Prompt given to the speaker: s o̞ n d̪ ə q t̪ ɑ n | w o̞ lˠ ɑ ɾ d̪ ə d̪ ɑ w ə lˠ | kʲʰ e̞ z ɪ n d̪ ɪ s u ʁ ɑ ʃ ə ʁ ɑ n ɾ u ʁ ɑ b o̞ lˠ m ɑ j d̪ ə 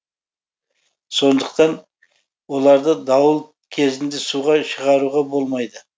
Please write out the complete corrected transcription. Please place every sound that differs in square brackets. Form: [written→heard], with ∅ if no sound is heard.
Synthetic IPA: s o̞ n d̪ ə q t̪ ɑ n | w o̞ lˠ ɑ ɾ d̪ ə d̪ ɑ w ə lˠ | kʲʰ e̞ z ɪ n d̪ ɪ s u ʁ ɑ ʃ ə ʁ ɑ [n→∅] ɾ u ʁ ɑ b o̞ lˠ m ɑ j d̪ ə